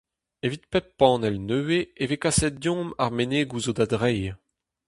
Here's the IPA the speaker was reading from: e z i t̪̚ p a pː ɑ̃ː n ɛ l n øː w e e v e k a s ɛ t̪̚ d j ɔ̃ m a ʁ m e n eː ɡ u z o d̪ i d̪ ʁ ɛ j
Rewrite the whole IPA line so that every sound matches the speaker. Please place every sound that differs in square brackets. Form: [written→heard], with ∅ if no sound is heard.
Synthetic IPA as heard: e [z→v] i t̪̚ p [a→ɛ] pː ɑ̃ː n ɛ l n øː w e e v e k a s ɛ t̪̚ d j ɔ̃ m a ʁ m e n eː ɡ u z o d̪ [i→a] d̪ ʁ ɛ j

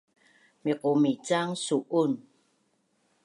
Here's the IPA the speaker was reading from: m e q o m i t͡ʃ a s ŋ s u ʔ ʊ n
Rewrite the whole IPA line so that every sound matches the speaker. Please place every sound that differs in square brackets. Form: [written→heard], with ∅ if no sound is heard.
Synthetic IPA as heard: m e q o m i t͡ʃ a [s→∅] ŋ s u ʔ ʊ n

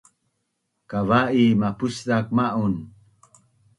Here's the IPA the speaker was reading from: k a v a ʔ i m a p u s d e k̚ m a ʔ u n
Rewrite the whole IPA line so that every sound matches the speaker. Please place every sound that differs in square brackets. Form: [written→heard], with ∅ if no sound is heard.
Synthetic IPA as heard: k a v a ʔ i m a p u s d [e→a] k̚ m a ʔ u n

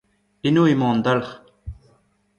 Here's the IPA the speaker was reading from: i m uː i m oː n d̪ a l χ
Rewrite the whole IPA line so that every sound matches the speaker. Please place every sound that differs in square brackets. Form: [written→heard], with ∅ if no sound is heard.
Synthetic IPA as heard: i [m→n] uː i m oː n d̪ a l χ

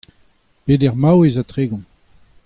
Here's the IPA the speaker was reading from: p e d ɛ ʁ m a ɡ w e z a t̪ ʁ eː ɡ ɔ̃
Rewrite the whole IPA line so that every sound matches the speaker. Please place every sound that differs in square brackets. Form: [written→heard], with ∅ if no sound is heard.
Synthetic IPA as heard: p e d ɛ ʁ m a [ɡ→∅] w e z a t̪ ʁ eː ɡ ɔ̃

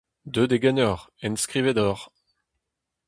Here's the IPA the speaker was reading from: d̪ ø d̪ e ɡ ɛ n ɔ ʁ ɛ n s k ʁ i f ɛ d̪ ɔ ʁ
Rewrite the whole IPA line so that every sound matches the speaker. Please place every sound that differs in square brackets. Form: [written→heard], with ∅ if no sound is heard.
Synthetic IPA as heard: d̪ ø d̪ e ɡ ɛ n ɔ ʁ ɛ n s k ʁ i [f→v] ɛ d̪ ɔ ʁ

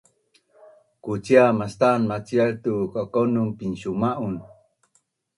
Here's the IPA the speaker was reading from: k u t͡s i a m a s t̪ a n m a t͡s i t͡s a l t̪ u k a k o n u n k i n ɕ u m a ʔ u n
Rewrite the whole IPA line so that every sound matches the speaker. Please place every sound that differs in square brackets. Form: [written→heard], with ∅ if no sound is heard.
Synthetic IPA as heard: k u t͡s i a m a s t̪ a n m a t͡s i [t͡s→∅] a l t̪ u k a k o n u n [k→p] i n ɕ u m a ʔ u n

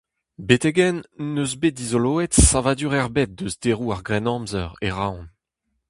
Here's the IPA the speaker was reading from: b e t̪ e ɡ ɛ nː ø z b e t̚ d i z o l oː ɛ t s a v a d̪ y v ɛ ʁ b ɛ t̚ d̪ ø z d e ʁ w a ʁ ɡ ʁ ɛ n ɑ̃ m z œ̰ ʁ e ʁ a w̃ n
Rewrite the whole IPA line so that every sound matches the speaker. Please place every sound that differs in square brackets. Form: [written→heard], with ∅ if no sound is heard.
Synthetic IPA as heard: b e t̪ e ɡ ɛ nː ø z b e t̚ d i z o l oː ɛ t s a v a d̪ y [v→ʁ] ɛ ʁ b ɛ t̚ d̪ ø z d e ʁ [w→u] a ʁ ɡ ʁ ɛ n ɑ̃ m z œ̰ ʁ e ʁ a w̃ n

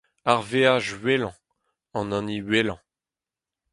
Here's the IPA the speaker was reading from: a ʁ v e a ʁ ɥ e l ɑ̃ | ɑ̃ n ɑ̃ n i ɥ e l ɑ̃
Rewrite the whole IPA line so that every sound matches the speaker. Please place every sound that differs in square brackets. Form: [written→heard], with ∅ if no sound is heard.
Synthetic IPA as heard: a ʁ v e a [ʁ→ʒ] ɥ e l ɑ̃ | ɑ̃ n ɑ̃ n i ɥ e l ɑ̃

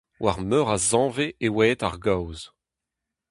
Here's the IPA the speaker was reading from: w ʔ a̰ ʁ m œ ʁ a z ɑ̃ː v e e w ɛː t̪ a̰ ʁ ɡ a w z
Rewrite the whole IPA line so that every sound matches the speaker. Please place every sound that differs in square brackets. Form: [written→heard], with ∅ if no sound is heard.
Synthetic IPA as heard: w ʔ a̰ ʁ m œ ʁ a z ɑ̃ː v e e w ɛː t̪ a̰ ʁ ɡ a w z

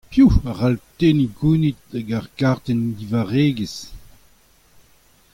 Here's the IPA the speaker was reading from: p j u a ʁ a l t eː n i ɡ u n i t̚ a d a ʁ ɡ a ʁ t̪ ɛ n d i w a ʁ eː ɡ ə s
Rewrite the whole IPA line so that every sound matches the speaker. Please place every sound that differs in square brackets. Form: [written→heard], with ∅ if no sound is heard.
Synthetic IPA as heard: p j u a ʁ a l t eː n i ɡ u n i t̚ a [d→ɡ] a ʁ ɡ a ʁ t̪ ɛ n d i [w→v] a ʁ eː ɡ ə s

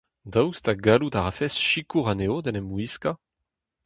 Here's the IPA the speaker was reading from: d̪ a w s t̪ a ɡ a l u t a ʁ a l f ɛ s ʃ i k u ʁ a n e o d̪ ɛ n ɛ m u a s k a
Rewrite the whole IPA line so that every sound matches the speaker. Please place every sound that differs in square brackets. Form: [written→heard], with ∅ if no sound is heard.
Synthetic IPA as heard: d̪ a w s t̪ a ɡ a l u t a ʁ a [l→∅] f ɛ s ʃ i k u ʁ a n e o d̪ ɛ n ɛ m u [a→i] s k a

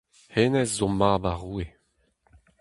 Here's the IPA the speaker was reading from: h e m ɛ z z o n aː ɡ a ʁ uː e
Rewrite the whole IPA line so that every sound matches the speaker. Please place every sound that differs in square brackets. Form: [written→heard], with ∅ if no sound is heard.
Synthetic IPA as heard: h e [m→n] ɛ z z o [n→m] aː [ɡ→b] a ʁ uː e

